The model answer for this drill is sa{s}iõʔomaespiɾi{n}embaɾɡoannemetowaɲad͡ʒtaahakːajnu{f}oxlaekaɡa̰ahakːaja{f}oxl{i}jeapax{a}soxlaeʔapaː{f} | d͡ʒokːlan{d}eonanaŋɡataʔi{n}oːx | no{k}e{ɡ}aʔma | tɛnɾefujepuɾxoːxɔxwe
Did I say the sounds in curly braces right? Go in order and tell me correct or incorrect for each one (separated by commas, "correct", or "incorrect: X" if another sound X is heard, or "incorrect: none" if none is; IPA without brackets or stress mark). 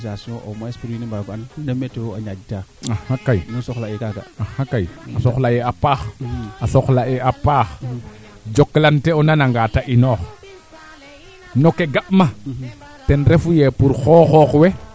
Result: correct, correct, incorrect: s, incorrect: s, incorrect: a, correct, incorrect: x, incorrect: t, correct, correct, correct